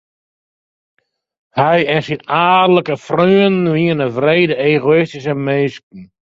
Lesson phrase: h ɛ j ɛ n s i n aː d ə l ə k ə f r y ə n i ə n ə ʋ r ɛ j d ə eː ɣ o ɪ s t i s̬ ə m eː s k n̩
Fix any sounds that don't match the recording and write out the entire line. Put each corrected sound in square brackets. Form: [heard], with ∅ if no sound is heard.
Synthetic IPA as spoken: h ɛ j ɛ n s i n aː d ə l ə k ə f r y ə n i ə n ə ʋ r [e] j d ə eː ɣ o ɪ s t i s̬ ə m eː s k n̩

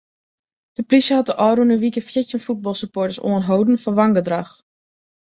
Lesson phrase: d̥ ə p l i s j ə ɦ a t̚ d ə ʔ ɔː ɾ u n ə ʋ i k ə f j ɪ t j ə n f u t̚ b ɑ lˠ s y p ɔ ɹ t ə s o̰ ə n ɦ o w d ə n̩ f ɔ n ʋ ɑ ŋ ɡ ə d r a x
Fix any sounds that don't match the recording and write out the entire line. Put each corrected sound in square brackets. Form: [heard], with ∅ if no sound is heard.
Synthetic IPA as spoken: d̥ ə p l i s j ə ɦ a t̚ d ə ʔ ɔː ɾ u n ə ʋ i k ə f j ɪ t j ə n f u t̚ b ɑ lˠ s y p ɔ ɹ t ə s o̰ ə n ɦ o w d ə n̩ f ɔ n ʋ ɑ ŋ ɡ ə d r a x

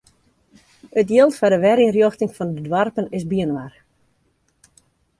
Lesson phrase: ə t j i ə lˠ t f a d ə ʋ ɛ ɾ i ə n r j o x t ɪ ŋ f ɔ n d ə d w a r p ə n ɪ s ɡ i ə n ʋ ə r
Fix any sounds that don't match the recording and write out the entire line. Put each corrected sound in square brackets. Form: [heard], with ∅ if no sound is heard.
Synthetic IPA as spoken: ə t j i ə lˠ t f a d ə ʋ ɛ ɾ i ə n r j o x t ɪ ŋ f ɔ n d ə d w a r p ə n ɪ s [b] i ə n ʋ [a] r

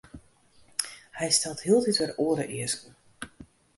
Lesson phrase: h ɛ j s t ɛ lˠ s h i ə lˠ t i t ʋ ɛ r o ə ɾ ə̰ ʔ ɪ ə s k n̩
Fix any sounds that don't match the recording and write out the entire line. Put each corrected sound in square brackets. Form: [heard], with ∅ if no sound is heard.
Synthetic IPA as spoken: h ɛ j s t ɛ lˠ [t] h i ə lˠ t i t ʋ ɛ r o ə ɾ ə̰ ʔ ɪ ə s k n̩

